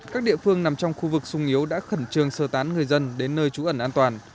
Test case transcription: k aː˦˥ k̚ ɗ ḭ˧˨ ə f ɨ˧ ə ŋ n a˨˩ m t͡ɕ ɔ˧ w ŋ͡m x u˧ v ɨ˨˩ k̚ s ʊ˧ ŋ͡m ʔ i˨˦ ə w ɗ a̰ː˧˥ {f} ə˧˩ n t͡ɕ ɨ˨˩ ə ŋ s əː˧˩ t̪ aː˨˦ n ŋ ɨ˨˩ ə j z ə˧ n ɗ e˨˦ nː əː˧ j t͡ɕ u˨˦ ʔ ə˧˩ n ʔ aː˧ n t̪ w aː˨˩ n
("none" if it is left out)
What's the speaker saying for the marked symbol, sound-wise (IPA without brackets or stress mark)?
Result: x